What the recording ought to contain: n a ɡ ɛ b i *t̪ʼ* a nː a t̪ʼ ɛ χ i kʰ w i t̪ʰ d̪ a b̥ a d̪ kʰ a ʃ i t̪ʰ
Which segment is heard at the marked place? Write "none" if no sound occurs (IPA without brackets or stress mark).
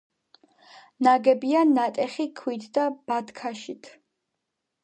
none